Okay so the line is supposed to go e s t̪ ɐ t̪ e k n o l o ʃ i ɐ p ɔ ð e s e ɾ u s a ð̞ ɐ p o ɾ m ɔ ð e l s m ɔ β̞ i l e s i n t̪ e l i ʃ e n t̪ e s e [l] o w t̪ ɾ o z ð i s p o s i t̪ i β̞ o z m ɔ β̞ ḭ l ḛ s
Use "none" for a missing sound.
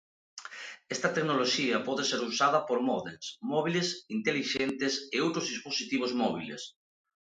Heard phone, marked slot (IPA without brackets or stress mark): none